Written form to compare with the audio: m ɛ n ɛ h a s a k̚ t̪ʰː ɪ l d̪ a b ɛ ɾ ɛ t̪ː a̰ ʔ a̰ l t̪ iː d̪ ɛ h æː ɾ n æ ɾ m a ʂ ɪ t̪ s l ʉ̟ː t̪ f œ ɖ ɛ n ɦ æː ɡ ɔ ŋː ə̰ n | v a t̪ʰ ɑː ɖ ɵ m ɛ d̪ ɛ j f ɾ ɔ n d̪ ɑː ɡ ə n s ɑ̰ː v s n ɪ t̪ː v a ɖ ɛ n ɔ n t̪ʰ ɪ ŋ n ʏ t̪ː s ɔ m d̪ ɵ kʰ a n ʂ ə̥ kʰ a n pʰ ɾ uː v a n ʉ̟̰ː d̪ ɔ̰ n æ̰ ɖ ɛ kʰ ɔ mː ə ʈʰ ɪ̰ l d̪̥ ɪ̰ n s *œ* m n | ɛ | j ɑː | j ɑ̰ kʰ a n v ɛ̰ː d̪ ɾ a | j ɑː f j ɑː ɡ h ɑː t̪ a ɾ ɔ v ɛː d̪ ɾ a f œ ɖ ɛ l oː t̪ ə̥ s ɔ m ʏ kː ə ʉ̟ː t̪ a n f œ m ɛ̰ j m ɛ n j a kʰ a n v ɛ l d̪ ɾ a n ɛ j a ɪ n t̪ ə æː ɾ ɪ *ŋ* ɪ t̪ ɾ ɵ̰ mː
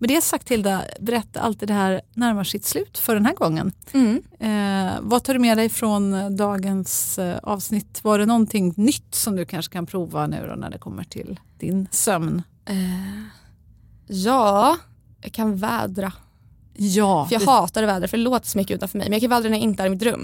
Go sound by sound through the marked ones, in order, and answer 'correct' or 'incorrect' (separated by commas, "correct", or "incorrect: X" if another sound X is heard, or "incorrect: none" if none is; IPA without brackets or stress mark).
correct, incorrect: m